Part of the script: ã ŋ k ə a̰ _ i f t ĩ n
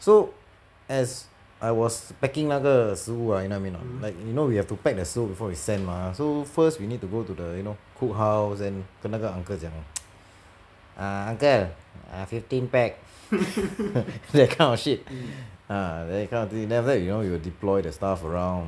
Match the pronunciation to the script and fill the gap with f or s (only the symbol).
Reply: f